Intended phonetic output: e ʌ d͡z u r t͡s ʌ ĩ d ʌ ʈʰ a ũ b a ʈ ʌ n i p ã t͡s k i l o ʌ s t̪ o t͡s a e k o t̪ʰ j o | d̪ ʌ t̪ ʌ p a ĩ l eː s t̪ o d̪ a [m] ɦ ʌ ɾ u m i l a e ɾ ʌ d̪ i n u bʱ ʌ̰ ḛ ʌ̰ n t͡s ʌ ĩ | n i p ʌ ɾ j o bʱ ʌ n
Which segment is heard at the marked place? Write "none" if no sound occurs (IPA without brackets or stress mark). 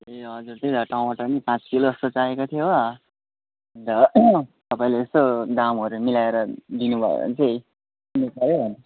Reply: m